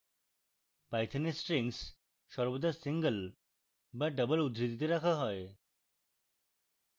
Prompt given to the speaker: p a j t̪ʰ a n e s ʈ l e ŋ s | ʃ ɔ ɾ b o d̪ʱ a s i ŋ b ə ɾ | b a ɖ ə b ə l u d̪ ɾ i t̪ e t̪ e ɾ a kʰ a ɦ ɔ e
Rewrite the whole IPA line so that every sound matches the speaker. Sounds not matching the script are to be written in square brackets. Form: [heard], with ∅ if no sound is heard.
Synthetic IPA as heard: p a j t̪ʰ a n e s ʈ [ɾ] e ŋ s | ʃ ɔ ɾ b o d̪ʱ a s i ŋ [ɡ] ə [l] | b a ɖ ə b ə l u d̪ ɾ i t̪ [i] t̪ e ɾ a kʰ a ɦ ɔ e